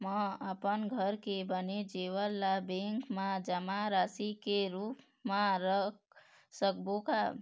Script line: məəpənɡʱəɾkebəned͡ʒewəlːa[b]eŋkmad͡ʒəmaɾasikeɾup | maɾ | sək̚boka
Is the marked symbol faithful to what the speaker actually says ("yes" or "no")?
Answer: yes